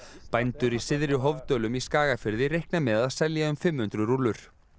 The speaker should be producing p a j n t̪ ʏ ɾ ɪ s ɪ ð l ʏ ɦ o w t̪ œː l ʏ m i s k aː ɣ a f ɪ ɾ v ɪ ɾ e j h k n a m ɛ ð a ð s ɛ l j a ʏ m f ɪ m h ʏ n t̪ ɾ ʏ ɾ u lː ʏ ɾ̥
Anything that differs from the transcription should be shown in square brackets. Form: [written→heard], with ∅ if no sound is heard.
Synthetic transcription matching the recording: p a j n t̪ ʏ ɾ [ɪ→i] s ɪ ð [l→ɾ] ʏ ɦ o [w→v] t̪ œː l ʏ m i s k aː ɣ a f ɪ ɾ [v→ð] ɪ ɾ e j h k n a m ɛ ð a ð s ɛ l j a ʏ m f ɪ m h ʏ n t̪ ɾ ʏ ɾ u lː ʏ ɾ̥